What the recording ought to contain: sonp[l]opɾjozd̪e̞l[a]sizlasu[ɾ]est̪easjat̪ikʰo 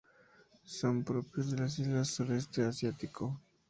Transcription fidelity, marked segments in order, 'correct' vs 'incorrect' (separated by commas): incorrect, correct, correct